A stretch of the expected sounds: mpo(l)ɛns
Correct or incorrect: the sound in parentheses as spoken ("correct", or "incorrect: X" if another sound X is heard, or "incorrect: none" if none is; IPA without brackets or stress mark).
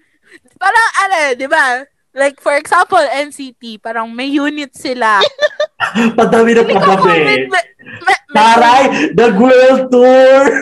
correct